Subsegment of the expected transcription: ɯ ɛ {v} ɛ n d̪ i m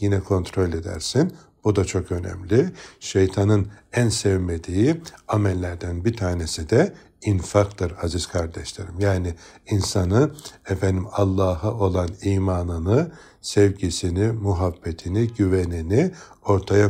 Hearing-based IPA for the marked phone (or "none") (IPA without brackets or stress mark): f